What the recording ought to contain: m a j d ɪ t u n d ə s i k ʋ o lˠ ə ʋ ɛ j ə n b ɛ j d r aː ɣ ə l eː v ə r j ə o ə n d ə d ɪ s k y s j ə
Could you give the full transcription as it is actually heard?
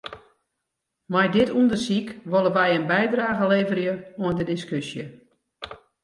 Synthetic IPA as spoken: m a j d ɪ t u n d ə s i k ʋ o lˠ ə ʋ ɛ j ə n b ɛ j d r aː ɣ ə l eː v ə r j ə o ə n d ə d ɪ s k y s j ə